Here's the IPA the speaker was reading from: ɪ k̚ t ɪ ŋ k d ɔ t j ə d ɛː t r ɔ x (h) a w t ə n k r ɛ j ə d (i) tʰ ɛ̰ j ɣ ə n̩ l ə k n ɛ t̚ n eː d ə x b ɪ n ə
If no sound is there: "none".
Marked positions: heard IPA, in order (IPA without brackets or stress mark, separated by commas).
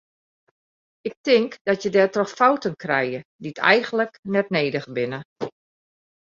f, i